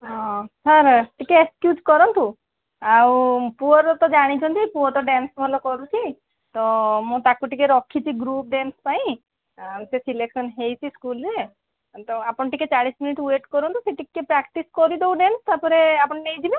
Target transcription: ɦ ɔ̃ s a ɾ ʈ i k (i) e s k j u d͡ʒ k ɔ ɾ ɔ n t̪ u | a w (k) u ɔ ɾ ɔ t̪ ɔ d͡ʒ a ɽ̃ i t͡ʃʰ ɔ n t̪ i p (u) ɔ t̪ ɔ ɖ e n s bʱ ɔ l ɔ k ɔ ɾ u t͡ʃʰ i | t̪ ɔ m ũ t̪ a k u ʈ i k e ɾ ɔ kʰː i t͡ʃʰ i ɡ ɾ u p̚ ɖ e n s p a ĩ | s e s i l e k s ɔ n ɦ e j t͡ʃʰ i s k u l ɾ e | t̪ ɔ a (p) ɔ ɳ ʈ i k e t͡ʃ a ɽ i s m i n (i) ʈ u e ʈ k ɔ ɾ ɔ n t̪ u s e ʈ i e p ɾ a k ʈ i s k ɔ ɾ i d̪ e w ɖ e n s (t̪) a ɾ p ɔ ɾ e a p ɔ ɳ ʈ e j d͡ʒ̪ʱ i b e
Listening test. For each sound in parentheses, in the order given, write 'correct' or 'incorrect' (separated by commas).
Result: incorrect, incorrect, correct, correct, correct, correct